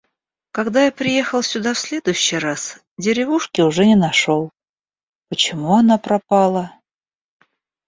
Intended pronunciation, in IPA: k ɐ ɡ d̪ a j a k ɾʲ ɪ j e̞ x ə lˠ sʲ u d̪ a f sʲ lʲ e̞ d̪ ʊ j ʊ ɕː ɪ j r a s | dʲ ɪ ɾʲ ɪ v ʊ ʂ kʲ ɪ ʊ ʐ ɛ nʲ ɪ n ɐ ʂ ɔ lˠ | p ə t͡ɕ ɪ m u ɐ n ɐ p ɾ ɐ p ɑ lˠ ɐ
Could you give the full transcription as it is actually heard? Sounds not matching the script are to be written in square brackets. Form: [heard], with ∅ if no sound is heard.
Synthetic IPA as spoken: k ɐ ɡ d̪ a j a [p] ɾʲ ɪ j e̞ x ə lˠ sʲ [ʊ] d̪ a f sʲ lʲ e̞ d̪ ʊ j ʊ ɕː ɪ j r a s | dʲ ɪ ɾʲ ɪ v [u] ʂ kʲ ɪ ʊ ʐ ɛ nʲ ɪ n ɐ ʂ [o] lˠ | p ə t͡ɕ ɪ m u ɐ n [a] p ɾ ɐ p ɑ lˠ [ə]